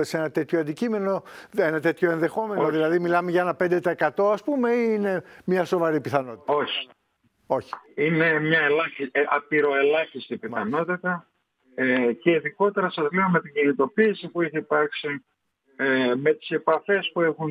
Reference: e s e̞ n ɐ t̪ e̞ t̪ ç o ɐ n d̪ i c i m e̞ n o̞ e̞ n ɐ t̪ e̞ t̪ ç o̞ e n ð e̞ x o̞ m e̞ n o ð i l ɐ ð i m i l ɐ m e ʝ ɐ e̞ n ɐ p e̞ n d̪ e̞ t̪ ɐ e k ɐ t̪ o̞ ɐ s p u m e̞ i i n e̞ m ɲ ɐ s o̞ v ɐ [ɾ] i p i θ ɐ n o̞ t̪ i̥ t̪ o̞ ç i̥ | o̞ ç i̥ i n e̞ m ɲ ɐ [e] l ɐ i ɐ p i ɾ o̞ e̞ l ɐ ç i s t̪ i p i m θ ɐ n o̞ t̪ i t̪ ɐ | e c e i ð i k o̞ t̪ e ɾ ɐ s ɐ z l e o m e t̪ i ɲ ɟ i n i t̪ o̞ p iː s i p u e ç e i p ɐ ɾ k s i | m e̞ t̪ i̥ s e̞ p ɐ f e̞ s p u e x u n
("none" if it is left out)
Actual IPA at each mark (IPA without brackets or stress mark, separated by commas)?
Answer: ɾ, e